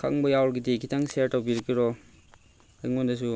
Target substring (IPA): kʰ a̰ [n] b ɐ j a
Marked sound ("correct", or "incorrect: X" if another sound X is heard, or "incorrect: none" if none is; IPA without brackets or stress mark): incorrect: ŋ